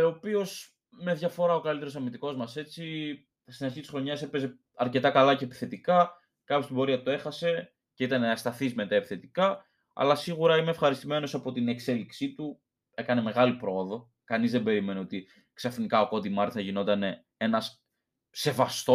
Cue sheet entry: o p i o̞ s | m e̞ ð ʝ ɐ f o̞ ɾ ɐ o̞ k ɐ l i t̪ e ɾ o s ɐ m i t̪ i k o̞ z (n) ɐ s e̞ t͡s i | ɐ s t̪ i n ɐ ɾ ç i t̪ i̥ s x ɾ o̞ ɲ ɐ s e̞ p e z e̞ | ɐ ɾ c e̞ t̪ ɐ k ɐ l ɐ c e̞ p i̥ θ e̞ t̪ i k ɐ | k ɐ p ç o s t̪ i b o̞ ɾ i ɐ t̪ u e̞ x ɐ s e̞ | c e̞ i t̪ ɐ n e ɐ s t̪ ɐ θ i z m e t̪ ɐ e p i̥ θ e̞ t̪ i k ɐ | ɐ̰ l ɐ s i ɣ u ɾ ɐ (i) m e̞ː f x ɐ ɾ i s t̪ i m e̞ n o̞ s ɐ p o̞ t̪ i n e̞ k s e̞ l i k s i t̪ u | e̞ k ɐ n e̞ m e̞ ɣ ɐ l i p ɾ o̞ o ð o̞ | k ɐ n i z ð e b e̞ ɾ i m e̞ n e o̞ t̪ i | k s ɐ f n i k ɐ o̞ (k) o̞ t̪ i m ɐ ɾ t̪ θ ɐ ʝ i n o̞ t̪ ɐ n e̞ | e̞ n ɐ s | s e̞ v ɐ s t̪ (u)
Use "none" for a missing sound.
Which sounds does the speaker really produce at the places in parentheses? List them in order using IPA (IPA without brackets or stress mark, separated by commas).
m, i, k, o